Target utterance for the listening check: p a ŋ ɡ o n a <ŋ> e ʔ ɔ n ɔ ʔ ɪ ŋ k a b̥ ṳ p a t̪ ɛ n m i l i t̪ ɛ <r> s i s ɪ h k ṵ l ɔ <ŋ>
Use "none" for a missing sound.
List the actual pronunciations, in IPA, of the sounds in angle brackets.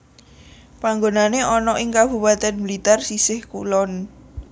n, r, n

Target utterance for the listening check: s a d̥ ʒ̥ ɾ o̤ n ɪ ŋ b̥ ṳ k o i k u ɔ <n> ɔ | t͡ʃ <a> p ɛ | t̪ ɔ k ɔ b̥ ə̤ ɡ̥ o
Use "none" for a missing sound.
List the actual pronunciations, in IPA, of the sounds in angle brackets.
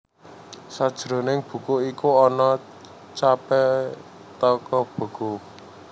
n, a

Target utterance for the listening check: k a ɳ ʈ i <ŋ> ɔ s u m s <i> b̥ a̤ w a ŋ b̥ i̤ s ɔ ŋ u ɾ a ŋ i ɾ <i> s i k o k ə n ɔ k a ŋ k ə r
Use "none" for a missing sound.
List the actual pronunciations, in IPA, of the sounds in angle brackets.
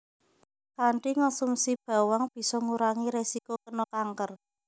ŋ, i, e

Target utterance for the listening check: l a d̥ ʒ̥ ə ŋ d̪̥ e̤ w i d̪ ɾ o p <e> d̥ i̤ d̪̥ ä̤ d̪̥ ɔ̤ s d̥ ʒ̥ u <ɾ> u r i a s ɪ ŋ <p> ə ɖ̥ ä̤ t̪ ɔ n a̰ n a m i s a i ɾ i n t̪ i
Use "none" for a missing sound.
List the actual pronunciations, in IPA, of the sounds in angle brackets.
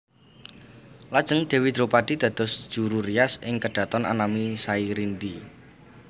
a, ɾ, k

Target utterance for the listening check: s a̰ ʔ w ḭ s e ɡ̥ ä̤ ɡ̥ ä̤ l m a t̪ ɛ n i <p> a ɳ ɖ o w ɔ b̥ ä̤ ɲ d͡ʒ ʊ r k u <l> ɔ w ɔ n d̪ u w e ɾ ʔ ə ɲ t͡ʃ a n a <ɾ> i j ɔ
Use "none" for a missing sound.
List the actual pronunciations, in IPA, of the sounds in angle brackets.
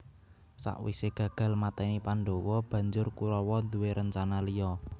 p, ɾ, l

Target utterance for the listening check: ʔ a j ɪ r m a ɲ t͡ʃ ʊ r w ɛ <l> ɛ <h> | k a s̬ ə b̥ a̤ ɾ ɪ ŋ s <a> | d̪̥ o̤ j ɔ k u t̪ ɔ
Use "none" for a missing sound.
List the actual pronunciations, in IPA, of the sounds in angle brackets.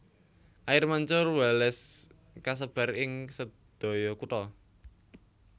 l, s, ə

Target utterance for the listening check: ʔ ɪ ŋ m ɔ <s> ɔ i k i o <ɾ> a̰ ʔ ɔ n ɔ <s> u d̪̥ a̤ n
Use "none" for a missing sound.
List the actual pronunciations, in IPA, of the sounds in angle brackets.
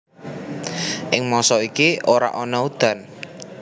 s, ɾ, none

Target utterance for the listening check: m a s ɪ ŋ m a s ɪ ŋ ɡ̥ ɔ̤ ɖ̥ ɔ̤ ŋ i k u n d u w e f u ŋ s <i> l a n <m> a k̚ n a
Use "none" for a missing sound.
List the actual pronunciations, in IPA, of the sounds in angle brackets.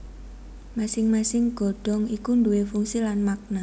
i, m

